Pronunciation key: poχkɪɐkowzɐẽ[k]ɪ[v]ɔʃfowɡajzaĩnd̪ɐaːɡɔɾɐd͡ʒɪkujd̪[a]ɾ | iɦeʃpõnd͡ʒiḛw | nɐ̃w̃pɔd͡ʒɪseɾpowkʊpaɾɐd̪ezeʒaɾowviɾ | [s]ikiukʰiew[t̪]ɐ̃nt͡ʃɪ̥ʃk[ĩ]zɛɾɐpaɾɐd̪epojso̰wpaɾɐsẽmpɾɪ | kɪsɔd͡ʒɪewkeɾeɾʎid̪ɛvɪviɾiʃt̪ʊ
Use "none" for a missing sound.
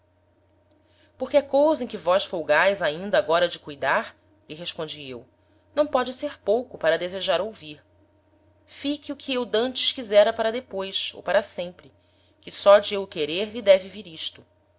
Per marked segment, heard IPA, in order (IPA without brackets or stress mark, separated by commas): k, v, a, f, d̪, i